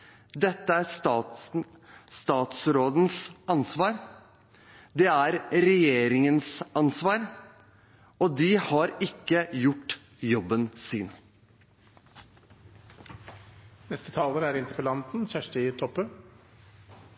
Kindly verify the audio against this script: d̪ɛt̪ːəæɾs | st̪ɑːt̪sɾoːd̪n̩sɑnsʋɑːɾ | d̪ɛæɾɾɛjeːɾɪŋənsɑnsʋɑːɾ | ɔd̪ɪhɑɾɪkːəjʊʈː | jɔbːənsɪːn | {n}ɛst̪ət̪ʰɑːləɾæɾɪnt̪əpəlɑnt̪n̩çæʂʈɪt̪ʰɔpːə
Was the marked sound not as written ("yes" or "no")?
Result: no